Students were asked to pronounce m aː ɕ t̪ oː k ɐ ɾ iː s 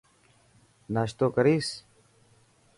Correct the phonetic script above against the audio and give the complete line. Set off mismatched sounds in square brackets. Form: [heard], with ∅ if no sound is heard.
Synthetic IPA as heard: [n] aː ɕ t̪ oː k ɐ ɾ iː s